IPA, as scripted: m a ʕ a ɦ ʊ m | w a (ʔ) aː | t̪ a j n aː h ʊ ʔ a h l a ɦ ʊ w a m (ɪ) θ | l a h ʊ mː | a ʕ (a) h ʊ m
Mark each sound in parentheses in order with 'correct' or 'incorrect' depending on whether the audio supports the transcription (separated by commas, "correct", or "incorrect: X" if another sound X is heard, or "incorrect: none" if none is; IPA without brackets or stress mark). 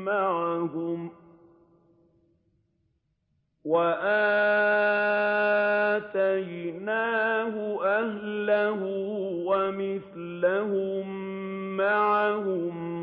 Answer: correct, correct, correct